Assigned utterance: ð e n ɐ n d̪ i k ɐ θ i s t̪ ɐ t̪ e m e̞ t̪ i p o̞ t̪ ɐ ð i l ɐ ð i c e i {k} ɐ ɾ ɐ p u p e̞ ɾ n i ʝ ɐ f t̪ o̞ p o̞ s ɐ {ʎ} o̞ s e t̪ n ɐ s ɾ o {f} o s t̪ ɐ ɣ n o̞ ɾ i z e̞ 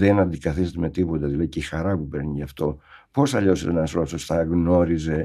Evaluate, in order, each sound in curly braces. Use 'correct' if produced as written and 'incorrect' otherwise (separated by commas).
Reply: incorrect, correct, incorrect